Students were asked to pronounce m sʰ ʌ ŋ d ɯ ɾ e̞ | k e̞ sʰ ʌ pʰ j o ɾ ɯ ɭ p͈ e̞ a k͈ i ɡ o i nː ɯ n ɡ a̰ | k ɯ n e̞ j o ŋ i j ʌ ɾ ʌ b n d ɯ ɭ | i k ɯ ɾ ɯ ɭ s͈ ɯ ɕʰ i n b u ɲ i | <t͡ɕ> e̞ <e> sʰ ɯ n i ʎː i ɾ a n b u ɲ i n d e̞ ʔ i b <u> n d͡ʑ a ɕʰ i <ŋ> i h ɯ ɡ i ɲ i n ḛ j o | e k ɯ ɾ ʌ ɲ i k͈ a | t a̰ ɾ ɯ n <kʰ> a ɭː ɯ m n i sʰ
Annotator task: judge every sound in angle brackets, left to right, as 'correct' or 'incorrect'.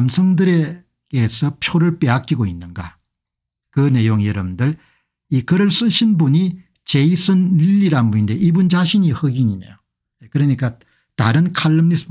correct, incorrect: i, correct, incorrect: ɲ, correct

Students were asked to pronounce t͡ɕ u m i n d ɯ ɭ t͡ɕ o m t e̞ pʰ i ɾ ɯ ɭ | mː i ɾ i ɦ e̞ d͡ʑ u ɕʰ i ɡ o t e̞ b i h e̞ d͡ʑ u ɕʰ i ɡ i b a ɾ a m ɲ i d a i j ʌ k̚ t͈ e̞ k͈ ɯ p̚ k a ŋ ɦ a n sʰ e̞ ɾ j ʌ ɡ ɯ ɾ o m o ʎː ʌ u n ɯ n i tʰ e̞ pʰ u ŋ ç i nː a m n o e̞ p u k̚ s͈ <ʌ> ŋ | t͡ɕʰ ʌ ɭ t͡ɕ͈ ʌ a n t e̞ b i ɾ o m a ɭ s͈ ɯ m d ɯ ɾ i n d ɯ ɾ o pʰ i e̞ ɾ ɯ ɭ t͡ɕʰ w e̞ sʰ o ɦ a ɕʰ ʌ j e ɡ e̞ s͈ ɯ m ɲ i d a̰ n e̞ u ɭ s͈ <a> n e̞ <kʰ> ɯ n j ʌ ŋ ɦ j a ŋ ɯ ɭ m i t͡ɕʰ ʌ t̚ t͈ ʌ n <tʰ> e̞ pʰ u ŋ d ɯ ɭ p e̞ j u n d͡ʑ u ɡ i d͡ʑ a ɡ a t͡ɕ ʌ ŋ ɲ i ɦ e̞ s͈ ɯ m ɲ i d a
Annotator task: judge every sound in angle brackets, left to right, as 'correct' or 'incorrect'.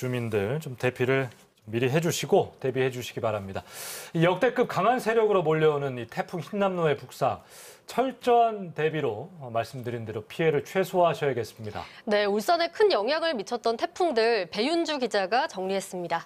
incorrect: a, incorrect: ʌ, correct, correct

